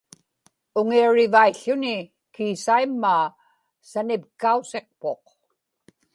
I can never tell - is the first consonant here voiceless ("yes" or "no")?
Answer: no